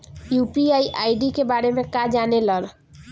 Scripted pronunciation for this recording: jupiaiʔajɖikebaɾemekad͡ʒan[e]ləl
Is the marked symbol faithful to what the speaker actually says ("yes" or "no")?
yes